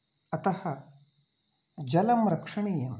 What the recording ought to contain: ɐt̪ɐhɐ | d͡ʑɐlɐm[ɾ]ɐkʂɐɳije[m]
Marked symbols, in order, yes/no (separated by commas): yes, yes